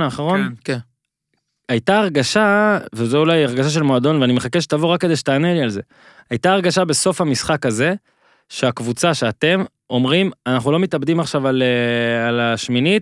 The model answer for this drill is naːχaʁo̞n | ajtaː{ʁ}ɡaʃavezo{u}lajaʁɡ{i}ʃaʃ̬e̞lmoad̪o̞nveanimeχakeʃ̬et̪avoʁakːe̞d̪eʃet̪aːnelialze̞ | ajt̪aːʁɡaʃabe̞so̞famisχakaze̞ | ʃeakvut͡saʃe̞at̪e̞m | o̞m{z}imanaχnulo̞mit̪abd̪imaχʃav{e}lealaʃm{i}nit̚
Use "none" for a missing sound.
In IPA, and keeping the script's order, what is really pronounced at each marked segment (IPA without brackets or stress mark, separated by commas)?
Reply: ʁ, u, a, ʁ, a, i